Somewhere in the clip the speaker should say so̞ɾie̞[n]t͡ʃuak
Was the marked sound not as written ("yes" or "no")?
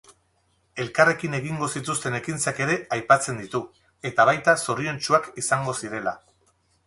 no